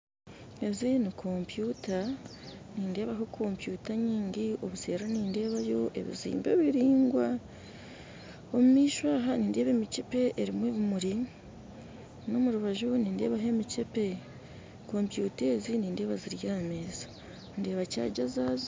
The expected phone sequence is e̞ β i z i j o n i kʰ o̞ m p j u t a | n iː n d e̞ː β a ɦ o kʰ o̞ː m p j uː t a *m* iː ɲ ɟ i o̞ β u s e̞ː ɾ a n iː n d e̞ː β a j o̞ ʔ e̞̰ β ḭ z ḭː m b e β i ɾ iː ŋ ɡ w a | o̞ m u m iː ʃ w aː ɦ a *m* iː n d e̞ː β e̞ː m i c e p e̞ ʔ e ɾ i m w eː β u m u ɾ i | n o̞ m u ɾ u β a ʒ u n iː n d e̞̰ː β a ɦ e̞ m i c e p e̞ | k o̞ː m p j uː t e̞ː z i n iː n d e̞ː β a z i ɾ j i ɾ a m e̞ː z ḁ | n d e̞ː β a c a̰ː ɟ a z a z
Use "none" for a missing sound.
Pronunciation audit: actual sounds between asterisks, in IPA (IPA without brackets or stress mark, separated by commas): ɲ, n